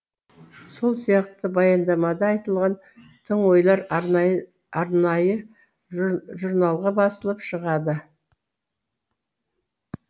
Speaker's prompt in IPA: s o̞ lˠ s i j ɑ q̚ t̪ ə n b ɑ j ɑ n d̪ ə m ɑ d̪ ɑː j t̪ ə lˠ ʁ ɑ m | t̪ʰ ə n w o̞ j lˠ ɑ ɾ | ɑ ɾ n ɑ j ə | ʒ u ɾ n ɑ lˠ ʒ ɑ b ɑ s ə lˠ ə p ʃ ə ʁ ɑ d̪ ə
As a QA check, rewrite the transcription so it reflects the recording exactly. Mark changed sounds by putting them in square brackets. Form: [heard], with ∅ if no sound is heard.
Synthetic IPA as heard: s o̞ lˠ s i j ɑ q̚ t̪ ə [∅] b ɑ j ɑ n d̪ [ɑ] m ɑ d̪ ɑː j t̪ ə lˠ ʁ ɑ [n] | t̪ʰ ə [ɴ] w o̞ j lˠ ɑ ɾ | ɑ ɾ n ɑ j ə | ʒ u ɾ n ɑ lˠ [ʁ] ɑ b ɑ s ə lˠ ə p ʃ ə ʁ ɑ d̪ ə